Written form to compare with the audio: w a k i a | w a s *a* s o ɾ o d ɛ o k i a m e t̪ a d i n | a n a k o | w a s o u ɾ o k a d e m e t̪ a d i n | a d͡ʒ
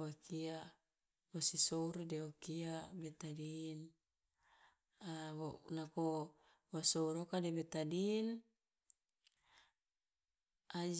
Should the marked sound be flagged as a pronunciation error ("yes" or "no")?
yes